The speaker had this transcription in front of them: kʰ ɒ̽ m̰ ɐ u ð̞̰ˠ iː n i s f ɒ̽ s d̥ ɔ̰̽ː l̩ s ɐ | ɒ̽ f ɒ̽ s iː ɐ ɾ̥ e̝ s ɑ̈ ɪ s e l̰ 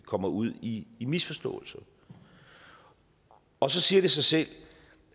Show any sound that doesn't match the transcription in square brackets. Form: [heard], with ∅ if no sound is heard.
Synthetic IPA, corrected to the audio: kʰ ɒ̽ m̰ ɐ u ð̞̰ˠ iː [m] i s f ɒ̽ s d̥ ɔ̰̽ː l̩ s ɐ | ɒ̽ [s] ɒ̽ s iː ɐ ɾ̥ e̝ s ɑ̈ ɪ s e l̰